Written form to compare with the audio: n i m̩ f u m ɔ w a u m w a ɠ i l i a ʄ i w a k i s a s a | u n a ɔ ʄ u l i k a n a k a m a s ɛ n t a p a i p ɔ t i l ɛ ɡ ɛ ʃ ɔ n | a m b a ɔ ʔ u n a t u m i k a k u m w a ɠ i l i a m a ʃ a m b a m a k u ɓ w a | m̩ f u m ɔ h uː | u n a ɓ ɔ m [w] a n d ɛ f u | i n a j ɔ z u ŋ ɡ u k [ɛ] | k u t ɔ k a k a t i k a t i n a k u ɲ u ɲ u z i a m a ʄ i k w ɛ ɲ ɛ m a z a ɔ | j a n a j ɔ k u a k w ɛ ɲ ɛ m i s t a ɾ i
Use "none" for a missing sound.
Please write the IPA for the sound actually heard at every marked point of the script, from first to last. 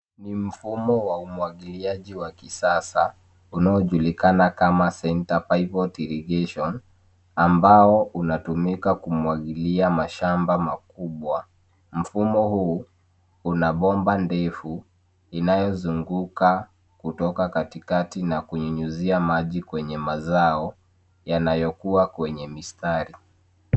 b, a

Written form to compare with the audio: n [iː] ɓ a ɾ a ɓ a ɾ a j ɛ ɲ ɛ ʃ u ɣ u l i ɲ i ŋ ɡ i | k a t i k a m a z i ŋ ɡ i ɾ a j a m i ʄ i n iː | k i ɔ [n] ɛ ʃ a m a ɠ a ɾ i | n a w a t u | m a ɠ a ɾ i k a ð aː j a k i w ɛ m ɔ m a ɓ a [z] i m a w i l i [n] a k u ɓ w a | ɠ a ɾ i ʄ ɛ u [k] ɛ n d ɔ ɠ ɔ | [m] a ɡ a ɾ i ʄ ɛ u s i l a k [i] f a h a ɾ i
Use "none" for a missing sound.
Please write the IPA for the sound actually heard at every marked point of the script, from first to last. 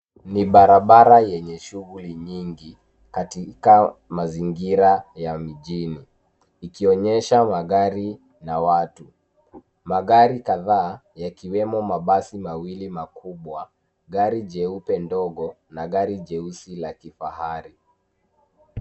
i, ɲ, s, m, p, n, i

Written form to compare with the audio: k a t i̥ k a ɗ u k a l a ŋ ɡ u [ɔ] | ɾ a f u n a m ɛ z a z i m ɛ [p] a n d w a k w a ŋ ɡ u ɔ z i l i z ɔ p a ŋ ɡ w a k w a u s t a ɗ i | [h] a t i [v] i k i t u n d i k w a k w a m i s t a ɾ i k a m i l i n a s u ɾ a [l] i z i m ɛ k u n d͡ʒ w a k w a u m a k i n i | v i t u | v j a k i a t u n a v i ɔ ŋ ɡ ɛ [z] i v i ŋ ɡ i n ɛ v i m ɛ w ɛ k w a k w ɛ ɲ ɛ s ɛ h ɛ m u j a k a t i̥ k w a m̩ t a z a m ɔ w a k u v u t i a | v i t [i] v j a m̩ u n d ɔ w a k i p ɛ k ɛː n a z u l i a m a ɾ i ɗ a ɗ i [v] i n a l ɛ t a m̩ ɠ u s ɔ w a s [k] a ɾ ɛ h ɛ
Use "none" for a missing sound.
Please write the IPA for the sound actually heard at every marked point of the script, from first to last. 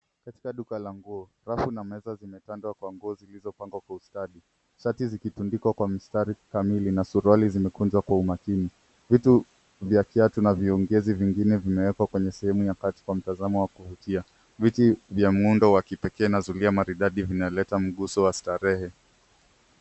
ɔ, t, ʃ, z, l, z, i, v, t

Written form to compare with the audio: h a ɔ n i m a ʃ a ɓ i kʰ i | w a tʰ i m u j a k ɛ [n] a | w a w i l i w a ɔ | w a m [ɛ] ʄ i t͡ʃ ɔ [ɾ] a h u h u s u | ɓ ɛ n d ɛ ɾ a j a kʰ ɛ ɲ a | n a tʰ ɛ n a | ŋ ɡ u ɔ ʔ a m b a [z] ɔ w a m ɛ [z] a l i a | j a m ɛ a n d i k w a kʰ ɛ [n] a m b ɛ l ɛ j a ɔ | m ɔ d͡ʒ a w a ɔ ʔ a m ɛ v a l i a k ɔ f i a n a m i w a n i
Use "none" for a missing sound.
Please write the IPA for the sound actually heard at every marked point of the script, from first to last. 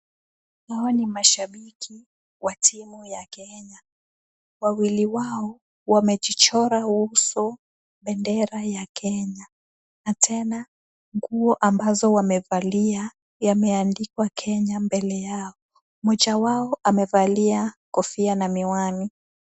ɲ, ɛ, ɾ, z, v, ɲ

